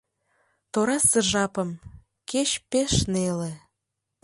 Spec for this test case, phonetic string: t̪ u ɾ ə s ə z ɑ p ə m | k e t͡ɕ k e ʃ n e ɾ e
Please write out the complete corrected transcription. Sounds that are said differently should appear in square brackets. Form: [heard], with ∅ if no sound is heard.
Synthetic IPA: t̪ [o] ɾ [ɑ] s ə [ʒ] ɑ p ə m | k e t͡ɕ [p] e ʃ n e [l] e